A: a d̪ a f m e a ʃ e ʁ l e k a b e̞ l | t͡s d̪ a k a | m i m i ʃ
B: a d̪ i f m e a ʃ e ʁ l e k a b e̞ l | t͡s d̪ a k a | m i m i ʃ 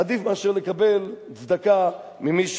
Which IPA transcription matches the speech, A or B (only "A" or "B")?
B